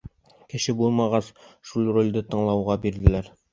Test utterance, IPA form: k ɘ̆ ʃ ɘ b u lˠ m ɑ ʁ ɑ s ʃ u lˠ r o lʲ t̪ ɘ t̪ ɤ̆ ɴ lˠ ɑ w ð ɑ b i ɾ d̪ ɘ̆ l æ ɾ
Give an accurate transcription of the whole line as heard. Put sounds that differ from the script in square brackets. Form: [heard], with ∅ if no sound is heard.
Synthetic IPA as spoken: k ɘ̆ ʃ ɘ b u lˠ m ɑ ʁ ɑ s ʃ u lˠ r o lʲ [d̪] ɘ t̪ ɤ̆ ɴ lˠ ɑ w [ʁ] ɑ b i ɾ d̪ ɘ̆ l æ ɾ